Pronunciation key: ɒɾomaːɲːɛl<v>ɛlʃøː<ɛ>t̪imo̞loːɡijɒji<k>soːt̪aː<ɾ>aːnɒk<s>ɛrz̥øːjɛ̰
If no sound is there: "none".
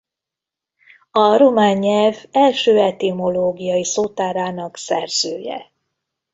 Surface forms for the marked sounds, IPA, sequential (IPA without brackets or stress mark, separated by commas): v, ɛ, none, ɾ, s